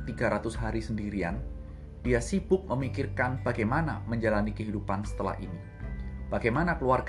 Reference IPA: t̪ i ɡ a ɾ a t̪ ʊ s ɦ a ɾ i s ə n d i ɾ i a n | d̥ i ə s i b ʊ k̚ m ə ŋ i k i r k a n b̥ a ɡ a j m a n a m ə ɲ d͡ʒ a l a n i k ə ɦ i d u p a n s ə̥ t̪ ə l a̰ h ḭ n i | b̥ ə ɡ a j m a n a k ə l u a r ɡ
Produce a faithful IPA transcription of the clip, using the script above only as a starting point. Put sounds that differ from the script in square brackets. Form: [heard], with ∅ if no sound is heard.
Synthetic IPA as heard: t̪ i ɡ a ɾ a t̪ ʊ s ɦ a ɾ i s ə n d i ɾ i a n | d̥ i [a] s i b ʊ k̚ m ə [m] i k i r k a n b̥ a ɡ a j m a n a m ə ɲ d͡ʒ a l a n i k ə ɦ i d u p a n s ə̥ t̪ ə l a̰ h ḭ n i | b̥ [a] ɡ a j m a n a k ə l u a r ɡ